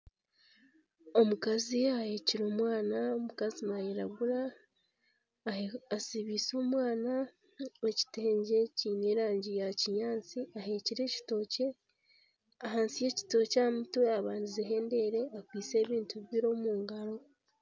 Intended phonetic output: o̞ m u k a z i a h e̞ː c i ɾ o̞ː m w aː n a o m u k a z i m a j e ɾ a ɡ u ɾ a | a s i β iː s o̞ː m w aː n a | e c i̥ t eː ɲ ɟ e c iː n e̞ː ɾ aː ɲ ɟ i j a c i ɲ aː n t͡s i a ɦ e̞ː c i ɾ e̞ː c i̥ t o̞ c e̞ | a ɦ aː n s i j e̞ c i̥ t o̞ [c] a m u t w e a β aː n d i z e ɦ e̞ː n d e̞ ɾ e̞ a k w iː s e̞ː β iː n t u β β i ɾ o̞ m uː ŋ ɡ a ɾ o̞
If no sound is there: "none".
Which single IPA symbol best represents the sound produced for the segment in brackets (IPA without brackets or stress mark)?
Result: c